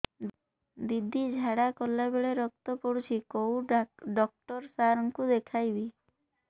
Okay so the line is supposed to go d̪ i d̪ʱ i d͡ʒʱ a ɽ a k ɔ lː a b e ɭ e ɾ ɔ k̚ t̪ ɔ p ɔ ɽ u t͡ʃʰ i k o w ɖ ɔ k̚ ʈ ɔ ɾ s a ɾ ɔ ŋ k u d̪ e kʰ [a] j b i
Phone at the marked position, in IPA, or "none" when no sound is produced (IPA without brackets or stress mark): a